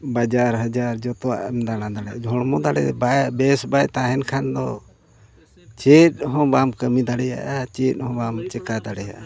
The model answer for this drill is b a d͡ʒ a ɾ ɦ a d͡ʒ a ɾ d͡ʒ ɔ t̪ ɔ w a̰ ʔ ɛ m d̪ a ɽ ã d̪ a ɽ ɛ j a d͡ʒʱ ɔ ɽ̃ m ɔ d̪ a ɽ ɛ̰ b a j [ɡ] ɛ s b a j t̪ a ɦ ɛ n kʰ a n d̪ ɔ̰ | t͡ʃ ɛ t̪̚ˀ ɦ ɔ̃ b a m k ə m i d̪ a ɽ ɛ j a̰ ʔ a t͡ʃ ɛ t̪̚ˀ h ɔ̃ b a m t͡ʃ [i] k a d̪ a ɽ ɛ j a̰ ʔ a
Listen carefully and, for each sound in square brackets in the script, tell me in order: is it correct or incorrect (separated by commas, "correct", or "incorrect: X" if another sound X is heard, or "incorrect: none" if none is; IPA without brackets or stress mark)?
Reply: incorrect: b, incorrect: ɛ